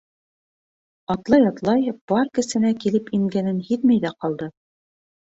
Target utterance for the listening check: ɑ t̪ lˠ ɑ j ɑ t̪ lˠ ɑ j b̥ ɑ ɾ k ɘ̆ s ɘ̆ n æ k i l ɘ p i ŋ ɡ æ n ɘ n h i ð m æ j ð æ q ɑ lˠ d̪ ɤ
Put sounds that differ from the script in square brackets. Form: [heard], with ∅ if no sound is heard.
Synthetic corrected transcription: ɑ t̪ lˠ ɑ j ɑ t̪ lˠ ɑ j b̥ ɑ ɾ k ɘ̆ s ɘ̆ n æ k i l ɘ p i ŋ ɡ æ n ɘ n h i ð m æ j ð æ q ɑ lˠ d̪ ɤ

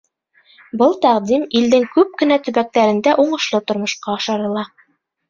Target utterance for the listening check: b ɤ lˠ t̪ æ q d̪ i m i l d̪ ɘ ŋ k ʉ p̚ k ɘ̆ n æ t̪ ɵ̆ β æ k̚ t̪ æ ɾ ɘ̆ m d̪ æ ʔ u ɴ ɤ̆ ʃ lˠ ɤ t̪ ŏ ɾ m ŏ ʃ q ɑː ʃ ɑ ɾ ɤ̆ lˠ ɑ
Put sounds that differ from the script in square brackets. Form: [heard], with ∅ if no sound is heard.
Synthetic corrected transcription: b ɤ lˠ t̪ æ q d̪ i m i l d̪ ɘ ŋ k ʉ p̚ k ɘ̆ n æ t̪ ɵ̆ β æ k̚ t̪ æ ɾ ɘ̆ [n] d̪ æ ʔ u ɴ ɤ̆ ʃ lˠ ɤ t̪ ŏ ɾ m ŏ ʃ q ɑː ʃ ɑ ɾ ɤ̆ lˠ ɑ

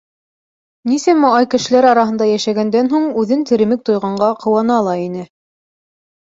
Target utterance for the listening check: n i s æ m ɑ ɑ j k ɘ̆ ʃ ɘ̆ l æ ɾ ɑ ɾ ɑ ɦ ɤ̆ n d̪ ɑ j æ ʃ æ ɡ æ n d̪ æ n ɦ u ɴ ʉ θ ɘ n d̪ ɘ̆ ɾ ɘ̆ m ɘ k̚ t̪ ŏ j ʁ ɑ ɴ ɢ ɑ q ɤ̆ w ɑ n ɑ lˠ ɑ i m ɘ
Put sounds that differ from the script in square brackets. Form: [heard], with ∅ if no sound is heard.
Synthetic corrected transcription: n i s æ m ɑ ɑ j k ɘ̆ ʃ ɘ̆ l æ ɾ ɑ ɾ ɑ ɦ ɤ̆ n d̪ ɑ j æ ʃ æ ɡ æ n d̪ æ n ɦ u ɴ ʉ [ð] ɘ n [t̪] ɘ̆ ɾ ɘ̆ m ɘ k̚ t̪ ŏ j ʁ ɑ ɴ ɢ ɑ q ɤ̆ w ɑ n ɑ lˠ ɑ i [n] ɘ

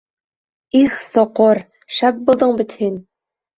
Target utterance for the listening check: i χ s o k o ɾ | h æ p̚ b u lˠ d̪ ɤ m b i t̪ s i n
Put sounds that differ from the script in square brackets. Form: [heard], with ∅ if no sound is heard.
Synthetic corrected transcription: i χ s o [q] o ɾ | [ʃ] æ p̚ b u lˠ d̪ ɤ [ɴ] b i t̪ [h] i n

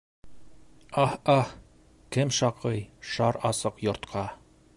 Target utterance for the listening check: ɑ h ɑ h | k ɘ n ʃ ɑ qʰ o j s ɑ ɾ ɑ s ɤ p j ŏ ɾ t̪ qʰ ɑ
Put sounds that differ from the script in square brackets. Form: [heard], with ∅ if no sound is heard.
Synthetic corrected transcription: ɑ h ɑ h | k ɘ [m] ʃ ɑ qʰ [ɤ] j [ʃ] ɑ ɾ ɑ s ɤ [q] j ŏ ɾ t̪ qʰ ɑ

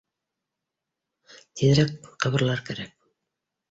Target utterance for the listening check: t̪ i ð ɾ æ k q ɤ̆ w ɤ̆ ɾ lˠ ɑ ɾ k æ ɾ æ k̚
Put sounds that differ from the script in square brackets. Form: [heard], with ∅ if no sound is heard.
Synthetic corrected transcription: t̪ i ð ɾ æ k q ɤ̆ [β] ɤ̆ ɾ lˠ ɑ ɾ k æ ɾ æ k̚

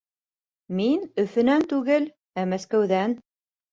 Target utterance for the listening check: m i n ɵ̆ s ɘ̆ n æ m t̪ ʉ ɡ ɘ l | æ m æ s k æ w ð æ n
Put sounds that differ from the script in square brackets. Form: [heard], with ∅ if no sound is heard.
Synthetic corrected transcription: m i n ɵ̆ [f] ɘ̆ n æ [n] t̪ ʉ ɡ ɘ l | æ m æ s k æ w ð æ n

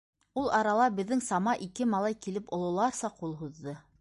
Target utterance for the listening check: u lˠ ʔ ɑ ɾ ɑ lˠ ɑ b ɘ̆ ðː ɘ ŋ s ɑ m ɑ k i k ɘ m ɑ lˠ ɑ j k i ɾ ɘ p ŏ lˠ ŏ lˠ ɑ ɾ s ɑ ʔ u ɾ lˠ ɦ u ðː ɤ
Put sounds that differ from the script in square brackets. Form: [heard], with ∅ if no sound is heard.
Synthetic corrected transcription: u lˠ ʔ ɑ ɾ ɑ lˠ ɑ b ɘ̆ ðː ɘ ŋ s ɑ m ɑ [ʔ] i k ɘ m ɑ lˠ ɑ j k i [l] ɘ p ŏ lˠ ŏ lˠ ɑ ɾ s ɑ [q] u [∅] lˠ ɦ u ðː ɤ

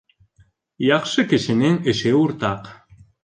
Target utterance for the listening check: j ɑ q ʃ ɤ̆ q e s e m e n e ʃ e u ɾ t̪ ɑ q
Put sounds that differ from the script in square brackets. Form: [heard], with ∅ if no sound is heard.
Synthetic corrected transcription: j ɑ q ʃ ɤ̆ [k] e [ʃ] e [n] e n e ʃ e u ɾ t̪ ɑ q

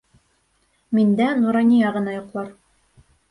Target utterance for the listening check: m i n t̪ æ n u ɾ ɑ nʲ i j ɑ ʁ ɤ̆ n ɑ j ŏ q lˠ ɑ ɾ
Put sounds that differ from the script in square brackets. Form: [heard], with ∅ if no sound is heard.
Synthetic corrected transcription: m i n [d̪] æ n u ɾ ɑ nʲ i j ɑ ʁ ɤ̆ n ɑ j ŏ q lˠ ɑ ɾ

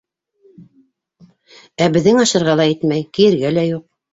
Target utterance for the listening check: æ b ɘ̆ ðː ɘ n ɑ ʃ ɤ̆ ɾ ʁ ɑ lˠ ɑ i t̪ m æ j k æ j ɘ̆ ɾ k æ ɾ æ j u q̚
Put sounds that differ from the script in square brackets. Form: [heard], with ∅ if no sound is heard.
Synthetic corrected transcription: æ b ɘ̆ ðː ɘ [ŋ] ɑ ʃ ɤ̆ ɾ ʁ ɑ lˠ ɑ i t̪ m æ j k [i] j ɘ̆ ɾ [ɡ] æ [l] æ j u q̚

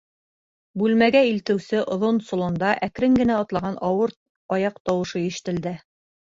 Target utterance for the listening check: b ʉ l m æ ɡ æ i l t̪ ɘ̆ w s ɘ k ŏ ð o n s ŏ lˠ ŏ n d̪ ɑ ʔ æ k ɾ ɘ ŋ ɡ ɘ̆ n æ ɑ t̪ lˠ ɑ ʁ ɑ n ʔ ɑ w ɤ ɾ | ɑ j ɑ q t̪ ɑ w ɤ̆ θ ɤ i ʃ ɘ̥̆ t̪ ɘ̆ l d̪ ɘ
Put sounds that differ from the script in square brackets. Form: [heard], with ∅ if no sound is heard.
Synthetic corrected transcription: b ʉ l m æ ɡ æ i l t̪ ɘ̆ w s ɘ [ʔ] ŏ ð o n s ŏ lˠ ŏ n d̪ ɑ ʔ æ k ɾ ɘ ŋ ɡ ɘ̆ n æ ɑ t̪ lˠ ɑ ʁ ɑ n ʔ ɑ w ɤ ɾ | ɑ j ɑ q t̪ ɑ w ɤ̆ [ʃ] ɤ i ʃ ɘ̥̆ t̪ ɘ̆ l d̪ ɘ

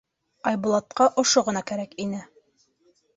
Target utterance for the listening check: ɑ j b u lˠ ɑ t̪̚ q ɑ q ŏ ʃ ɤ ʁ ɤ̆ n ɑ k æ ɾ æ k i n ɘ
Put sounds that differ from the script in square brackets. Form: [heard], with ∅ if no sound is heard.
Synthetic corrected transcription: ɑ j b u lˠ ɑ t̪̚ q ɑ [ʔ] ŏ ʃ [o] ʁ ɤ̆ n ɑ k æ ɾ æ k i n ɘ

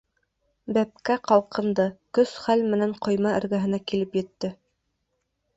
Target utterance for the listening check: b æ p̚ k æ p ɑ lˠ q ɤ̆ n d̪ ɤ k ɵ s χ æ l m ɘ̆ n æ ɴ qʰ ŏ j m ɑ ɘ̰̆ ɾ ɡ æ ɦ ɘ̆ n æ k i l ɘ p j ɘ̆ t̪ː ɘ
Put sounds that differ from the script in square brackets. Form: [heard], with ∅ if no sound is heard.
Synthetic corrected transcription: b æ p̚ k æ [q] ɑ lˠ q ɤ̆ n d̪ ɤ k ɵ s χ æ l m ɘ̆ n æ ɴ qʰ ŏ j m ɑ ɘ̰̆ ɾ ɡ æ ɦ ɘ̆ n æ k i l ɘ p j ɘ̆ t̪ː ɘ

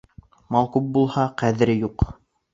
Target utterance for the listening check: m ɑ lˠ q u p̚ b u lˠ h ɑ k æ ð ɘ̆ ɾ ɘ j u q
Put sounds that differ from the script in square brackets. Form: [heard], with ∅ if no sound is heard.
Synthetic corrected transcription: m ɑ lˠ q u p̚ b u lˠ h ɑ [q] æ ð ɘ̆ ɾ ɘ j u q

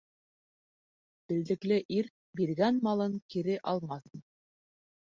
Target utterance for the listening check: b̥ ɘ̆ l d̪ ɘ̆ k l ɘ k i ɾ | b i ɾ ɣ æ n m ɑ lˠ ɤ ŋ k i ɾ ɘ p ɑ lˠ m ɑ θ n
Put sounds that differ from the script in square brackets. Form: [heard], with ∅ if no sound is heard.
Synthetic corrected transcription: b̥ ɘ̆ l d̪ ɘ̆ k l ɘ [ʔ] i ɾ | b i ɾ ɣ æ n m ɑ lˠ ɤ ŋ k i ɾ ɘ [ʔ] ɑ lˠ m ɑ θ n

